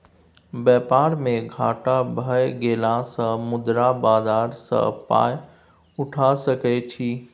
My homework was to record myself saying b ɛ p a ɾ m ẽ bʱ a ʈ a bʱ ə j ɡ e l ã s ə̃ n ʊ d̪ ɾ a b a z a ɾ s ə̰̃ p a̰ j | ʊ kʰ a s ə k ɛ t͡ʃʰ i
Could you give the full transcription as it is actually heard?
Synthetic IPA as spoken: b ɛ p a ɾ m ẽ ɡʱ a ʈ a bʱ ə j ɡ e l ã s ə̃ m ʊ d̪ ɾ a b a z a ɾ s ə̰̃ p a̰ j | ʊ ʈʰ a s ə k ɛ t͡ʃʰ i